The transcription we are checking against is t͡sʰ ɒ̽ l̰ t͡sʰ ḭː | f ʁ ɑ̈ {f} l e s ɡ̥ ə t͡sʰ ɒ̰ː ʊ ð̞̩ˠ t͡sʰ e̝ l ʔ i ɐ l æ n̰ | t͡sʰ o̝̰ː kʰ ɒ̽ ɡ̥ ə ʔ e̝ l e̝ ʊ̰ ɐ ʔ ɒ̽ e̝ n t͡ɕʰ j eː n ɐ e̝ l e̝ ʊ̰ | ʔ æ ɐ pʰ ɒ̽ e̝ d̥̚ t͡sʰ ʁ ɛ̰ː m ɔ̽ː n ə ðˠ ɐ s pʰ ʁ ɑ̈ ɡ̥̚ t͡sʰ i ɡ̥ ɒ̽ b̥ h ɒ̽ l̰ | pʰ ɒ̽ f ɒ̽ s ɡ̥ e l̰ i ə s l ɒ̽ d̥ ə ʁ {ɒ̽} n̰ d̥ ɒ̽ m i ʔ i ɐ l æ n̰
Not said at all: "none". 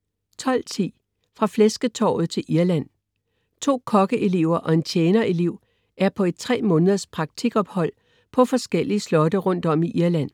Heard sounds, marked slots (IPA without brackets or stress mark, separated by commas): f, ɔ̽